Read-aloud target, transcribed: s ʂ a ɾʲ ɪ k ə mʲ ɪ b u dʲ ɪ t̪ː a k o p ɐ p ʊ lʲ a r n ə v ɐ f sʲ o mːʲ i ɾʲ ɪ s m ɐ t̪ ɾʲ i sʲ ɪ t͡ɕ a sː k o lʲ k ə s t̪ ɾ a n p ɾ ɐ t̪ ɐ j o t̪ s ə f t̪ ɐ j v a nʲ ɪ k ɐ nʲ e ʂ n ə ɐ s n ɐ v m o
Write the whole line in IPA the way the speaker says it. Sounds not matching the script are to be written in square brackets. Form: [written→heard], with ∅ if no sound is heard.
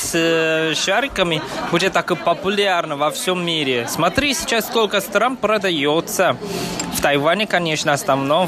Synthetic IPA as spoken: s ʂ a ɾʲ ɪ k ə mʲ ɪ b u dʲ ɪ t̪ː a k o p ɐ p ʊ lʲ a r n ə v ɐ f sʲ o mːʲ i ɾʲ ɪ s m ɐ t̪ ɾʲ i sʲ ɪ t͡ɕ a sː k o lʲ k ə s t̪ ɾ a n p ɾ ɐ [t̪→d̪] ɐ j o t̪ s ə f t̪ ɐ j v a nʲ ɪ k ɐ nʲ e ʂ n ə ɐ s n ɐ v [m→n] o